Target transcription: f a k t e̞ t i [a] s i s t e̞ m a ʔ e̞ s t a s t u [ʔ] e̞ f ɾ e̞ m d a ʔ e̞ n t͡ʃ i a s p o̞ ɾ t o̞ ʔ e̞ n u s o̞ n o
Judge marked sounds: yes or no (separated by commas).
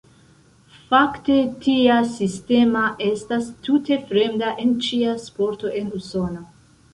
yes, no